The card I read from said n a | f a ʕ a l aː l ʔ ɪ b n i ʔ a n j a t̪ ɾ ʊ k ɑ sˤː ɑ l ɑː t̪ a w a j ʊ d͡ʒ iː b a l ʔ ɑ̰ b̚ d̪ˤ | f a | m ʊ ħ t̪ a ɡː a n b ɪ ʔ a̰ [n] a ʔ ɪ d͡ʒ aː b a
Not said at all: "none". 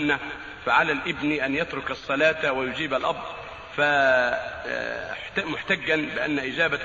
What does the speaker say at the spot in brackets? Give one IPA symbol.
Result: nː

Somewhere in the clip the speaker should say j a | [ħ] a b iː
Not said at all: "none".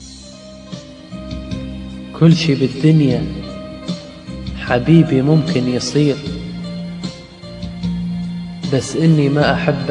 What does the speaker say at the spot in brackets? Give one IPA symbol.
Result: ħ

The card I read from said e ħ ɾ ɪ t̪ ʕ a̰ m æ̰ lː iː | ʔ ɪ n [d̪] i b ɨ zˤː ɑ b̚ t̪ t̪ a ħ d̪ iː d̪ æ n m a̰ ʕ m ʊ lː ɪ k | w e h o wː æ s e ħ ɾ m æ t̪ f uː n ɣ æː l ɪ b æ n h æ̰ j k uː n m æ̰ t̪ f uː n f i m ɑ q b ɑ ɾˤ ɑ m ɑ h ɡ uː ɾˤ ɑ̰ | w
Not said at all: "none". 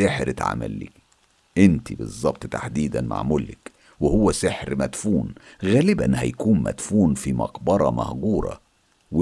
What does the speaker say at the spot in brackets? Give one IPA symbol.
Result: t̪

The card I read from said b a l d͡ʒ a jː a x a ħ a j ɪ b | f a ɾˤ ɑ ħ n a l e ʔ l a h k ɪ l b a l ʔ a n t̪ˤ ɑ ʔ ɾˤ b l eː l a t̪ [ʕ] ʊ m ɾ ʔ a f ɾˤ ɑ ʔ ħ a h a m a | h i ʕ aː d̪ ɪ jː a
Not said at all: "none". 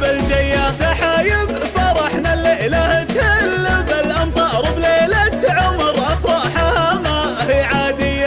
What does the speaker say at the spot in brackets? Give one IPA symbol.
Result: ʕ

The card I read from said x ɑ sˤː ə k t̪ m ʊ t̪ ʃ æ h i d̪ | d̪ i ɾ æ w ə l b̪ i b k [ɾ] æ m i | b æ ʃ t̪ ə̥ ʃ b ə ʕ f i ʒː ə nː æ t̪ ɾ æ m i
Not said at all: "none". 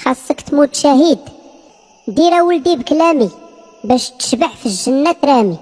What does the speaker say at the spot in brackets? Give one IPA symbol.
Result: l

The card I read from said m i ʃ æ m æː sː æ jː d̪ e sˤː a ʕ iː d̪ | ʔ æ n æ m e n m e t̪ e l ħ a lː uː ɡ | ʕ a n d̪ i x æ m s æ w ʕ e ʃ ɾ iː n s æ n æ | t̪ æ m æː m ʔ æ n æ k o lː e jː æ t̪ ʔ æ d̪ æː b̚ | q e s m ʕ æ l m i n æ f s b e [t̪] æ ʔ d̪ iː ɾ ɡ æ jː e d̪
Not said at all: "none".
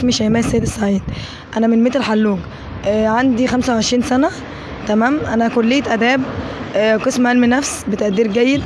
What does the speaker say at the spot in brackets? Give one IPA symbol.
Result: t̪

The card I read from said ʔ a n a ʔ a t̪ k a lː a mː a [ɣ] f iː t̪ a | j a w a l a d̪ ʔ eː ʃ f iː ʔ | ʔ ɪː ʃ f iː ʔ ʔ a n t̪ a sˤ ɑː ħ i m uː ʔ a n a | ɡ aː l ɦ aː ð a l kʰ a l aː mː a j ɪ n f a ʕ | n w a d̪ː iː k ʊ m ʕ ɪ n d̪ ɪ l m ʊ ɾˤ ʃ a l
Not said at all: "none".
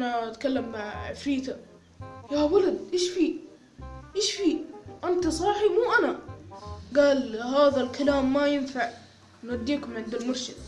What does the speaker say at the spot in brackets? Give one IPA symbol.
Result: ʕ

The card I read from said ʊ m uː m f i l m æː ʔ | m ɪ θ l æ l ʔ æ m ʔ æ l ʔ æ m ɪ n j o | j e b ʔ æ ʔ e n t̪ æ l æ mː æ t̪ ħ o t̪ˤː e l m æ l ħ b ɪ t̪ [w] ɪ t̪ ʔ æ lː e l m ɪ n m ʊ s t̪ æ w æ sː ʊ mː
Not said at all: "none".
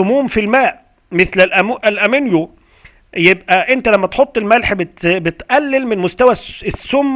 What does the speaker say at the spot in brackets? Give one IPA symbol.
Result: b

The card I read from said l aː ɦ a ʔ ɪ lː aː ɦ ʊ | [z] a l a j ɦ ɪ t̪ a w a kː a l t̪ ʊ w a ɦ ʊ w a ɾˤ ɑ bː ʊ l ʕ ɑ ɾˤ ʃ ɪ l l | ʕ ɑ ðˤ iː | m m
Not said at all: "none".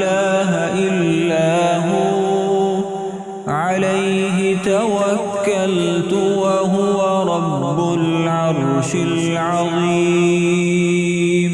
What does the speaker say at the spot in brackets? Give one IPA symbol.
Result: ʕ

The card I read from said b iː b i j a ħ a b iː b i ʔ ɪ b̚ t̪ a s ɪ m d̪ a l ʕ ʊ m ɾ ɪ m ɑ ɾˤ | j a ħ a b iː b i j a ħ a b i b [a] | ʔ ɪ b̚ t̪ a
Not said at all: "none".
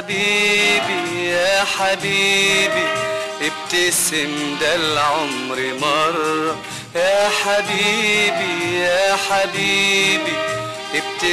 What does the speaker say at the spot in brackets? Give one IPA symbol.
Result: i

